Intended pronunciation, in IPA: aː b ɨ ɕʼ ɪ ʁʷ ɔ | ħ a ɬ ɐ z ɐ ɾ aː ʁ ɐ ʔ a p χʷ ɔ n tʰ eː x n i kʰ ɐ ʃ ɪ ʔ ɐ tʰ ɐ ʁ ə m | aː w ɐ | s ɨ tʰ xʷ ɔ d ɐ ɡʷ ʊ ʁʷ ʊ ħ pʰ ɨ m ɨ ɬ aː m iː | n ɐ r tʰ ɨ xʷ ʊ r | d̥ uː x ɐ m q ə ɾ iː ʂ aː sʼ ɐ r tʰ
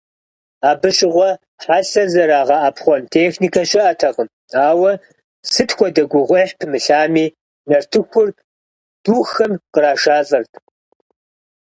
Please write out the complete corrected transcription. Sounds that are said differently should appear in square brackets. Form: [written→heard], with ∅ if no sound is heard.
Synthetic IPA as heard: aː b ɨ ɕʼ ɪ ʁʷ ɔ | ħ a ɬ ɐ z ɐ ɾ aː ʁ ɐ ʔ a p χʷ ɔ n tʰ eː x n i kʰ ɐ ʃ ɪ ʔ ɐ tʰ ɐ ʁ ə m | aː w ɐ | s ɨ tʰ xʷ ɔ d ɐ ɡʷ ʊ ʁʷ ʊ ħ pʰ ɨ m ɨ ɬ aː m iː | n ɐ r tʰ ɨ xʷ ʊ r | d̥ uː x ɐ m q ə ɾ [iː→aː] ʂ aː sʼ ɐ r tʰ

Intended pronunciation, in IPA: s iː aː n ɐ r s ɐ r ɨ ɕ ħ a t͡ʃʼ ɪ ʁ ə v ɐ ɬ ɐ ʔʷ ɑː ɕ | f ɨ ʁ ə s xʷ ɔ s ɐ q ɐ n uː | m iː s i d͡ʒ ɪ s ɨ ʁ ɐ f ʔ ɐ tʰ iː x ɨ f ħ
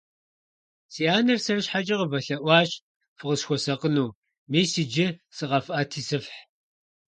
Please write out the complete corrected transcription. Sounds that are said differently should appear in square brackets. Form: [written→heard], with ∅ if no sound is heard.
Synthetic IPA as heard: s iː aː n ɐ r s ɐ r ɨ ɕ ħ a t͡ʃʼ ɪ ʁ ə v ɐ ɬ ɐ ʔʷ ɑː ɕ | f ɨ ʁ ə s xʷ ɔ s ɐ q [ɐ→ə] n uː | m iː s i d͡ʒ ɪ s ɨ ʁ ɐ f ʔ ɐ tʰ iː [x→s] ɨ f ħ

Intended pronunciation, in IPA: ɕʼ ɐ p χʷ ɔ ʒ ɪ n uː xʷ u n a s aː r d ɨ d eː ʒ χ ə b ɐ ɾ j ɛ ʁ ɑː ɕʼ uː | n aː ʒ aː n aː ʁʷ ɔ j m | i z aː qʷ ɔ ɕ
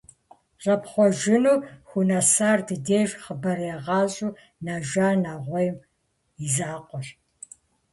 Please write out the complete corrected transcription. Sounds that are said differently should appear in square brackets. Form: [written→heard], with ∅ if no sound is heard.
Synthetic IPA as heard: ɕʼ ɐ p χʷ ɔ ʒ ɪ n uː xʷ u n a s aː r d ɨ d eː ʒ χ ə b ɐ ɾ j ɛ ʁ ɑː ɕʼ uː | n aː ʒ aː n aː ʁʷ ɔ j m | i z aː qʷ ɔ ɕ

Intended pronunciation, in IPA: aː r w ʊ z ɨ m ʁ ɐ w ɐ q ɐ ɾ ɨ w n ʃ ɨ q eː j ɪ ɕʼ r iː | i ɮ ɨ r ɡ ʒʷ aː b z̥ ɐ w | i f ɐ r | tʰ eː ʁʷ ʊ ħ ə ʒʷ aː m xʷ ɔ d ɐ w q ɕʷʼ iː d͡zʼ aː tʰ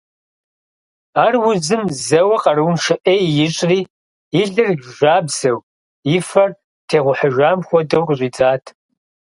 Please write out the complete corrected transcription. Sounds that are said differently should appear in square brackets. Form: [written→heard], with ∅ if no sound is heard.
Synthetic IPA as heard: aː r w ʊ z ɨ m [ʁ→z] ɐ w ɐ q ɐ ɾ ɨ w n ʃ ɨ [q→ʔ] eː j ɪ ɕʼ r iː | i ɮ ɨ r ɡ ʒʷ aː b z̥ ɐ w | i f ɐ r | tʰ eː ʁʷ ʊ ħ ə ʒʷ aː m xʷ ɔ d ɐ w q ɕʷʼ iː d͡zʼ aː tʰ

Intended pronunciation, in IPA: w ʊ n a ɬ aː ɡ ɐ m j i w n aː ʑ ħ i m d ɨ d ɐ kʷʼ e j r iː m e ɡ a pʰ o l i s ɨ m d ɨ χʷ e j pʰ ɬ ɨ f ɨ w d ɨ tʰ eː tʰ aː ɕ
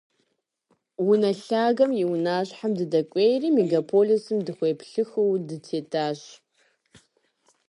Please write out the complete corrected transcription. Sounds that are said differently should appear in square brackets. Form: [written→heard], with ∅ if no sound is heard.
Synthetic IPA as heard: w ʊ n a ɬ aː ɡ ɐ m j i w n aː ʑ ħ [i→a] m d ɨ d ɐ kʷʼ e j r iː m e ɡ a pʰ o l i s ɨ m d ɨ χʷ e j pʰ ɬ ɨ [f→x] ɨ w d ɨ tʰ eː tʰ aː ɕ

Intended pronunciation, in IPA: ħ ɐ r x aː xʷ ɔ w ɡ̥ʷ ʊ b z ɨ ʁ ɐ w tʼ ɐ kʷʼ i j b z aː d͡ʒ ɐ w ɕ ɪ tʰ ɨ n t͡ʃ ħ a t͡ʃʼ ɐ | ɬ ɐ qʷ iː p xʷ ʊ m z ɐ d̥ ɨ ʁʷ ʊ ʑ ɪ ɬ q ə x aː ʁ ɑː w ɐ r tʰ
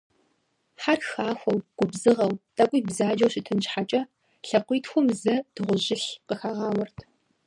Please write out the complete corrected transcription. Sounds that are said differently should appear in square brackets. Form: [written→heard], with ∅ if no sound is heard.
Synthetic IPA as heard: ħ [ɐ→a] r x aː xʷ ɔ w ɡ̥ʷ ʊ b z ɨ ʁ ɐ w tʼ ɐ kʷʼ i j b z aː d͡ʒ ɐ w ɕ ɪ tʰ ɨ n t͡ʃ ħ a t͡ʃʼ ɐ | ɬ ɐ qʷ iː [p→t] xʷ ʊ m z ɐ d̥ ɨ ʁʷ ʊ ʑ ɪ ɬ q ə x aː ʁ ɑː w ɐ r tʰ

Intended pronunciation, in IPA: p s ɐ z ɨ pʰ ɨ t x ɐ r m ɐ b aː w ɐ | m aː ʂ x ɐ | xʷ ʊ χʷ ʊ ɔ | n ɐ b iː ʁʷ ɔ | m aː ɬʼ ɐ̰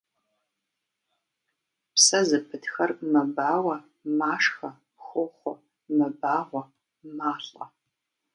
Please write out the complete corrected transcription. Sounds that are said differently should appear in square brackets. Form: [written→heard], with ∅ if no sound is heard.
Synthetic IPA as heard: p s ɐ z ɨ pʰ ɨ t x ɐ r m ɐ b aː w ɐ | m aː ʂ x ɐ | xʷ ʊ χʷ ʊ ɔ | [n→m] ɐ b [iː→aː] ʁʷ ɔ | m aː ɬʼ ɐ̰

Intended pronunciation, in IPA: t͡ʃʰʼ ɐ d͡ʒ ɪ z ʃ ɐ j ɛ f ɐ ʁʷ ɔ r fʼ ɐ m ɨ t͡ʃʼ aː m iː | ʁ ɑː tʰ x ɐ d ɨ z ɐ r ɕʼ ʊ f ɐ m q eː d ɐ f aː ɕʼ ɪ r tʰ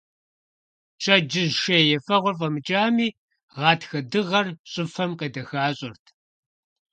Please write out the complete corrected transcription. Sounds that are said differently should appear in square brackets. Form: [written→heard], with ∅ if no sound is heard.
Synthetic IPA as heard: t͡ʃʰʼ ɐ d͡ʒ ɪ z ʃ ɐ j ɛ f ɐ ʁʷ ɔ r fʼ ɐ m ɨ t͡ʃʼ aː m iː | ʁ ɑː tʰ x ɐ d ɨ [z→ʁ] ɐ r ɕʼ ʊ f ɐ m q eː d ɐ [f→x] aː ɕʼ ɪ r tʰ

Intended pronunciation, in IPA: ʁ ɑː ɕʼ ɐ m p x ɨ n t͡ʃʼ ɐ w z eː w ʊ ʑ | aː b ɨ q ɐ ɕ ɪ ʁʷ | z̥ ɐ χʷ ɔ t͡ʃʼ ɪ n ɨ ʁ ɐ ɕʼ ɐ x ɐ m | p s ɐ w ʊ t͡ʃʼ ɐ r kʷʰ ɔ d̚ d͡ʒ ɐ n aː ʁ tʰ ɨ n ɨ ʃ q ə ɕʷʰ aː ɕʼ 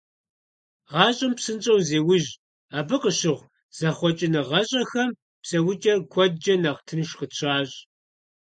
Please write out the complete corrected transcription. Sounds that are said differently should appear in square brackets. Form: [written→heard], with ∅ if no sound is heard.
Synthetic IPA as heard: ʁ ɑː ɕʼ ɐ m p [x→s] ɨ n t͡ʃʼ ɐ w z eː w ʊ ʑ | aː b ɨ q [ɐ→ə] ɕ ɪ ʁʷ | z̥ ɐ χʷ ɔ t͡ʃʼ ɪ n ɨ ʁ ɐ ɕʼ ɐ x ɐ m | p s ɐ w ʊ t͡ʃʼ ɐ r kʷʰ ɔ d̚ d͡ʒ ɐ n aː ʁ tʰ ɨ n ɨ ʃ q ə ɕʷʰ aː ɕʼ

